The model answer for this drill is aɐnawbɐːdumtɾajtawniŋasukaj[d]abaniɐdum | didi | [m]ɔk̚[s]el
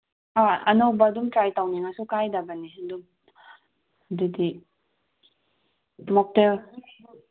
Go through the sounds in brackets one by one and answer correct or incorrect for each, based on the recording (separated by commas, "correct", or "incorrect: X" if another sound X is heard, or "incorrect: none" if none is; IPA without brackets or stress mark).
correct, correct, incorrect: t